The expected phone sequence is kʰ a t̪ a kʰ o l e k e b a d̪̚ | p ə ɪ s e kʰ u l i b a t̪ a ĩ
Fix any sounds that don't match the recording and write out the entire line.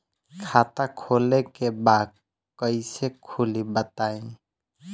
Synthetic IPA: kʰ a t̪ a kʰ o l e k e b a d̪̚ | k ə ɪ s e kʰ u l i b ə t̪ a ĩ